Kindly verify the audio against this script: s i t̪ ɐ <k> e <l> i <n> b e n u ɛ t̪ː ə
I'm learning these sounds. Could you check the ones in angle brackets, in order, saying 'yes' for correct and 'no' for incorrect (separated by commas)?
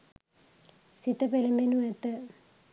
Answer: no, yes, no